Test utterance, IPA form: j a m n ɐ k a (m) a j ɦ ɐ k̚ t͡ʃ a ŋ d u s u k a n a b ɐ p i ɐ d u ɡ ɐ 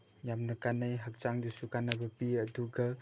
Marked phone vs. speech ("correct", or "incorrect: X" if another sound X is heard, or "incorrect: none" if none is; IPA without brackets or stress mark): incorrect: n